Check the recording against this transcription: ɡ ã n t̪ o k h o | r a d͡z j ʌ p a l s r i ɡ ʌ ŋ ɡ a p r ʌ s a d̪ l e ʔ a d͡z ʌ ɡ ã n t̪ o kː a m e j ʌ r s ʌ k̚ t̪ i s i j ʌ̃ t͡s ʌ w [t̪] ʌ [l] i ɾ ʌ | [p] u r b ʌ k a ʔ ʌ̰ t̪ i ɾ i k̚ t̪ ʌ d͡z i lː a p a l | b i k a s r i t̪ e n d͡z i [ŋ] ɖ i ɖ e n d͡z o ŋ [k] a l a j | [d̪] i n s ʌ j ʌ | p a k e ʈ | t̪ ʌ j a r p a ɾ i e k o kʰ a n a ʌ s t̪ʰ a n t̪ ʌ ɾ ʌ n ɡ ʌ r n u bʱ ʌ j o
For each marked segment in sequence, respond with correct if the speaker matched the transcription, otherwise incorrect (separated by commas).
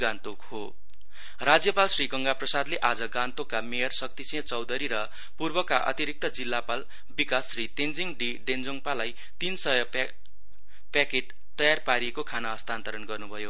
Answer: incorrect, incorrect, correct, correct, incorrect, incorrect